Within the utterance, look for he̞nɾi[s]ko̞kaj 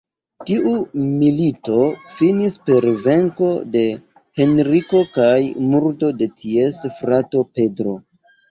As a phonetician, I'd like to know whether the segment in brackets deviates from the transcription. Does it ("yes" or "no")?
yes